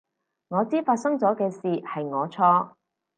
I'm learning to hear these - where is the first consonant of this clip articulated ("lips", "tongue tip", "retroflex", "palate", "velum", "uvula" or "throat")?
velum